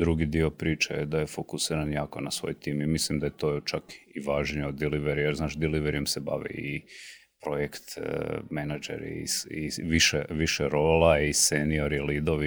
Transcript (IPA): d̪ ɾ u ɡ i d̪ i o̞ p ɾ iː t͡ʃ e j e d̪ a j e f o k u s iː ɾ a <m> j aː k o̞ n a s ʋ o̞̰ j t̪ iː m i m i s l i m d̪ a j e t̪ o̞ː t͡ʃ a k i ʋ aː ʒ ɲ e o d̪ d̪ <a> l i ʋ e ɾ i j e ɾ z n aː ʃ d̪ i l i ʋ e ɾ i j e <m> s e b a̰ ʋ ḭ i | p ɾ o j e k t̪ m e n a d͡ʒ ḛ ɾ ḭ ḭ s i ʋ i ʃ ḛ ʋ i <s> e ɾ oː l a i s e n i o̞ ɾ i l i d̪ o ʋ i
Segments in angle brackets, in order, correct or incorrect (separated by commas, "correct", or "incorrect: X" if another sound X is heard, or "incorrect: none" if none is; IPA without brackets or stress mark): incorrect: n, incorrect: i, correct, incorrect: ʃ